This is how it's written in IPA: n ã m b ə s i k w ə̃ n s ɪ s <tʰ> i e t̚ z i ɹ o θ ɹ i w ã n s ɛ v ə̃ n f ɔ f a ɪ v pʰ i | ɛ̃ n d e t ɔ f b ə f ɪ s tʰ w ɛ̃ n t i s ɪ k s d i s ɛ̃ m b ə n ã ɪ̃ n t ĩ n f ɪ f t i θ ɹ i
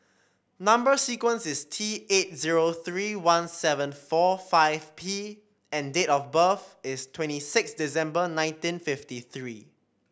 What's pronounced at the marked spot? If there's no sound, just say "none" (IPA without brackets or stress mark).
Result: tʰ